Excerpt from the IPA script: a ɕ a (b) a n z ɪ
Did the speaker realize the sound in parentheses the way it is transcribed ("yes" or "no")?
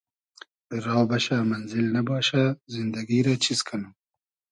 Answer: no